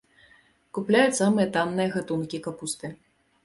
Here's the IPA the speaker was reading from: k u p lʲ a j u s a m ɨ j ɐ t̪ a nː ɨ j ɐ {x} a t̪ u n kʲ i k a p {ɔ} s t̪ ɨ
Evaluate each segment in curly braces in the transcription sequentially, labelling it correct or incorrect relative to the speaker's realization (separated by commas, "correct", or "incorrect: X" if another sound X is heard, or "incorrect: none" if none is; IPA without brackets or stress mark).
incorrect: ɣ, incorrect: u